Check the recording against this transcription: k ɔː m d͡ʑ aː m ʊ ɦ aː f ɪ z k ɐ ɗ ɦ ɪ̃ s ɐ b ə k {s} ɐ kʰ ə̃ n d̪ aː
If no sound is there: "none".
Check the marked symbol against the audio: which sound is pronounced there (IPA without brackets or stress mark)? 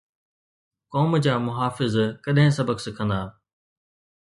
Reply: s